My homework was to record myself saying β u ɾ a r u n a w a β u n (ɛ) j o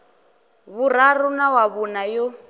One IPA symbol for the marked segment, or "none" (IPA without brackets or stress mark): a